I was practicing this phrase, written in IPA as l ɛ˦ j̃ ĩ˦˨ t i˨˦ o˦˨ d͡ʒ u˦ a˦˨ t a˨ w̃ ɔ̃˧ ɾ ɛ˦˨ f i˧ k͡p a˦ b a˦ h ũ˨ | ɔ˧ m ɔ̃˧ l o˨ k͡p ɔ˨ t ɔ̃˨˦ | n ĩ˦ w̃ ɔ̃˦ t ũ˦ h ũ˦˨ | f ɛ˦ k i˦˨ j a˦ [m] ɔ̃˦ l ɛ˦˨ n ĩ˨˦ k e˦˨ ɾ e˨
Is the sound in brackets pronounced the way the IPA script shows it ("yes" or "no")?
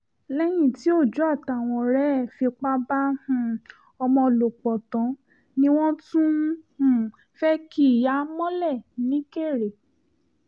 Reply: yes